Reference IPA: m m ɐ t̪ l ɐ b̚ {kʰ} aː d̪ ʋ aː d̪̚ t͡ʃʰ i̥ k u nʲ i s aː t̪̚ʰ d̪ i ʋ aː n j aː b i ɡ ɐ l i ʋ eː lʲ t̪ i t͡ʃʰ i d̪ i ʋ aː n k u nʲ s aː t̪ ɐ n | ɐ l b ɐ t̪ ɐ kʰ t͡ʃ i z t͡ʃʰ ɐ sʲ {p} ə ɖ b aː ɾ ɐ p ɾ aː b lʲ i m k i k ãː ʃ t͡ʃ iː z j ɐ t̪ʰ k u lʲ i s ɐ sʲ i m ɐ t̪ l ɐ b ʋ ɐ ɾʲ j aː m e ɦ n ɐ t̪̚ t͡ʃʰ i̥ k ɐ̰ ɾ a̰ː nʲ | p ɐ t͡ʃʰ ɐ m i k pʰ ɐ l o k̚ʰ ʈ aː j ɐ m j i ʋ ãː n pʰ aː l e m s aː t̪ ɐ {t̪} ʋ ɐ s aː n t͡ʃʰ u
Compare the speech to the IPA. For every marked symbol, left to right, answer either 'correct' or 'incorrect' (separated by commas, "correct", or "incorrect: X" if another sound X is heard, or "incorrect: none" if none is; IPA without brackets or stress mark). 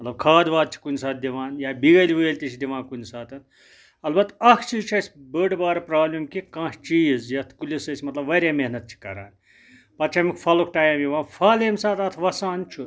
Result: correct, incorrect: b, incorrect: t̪ʰ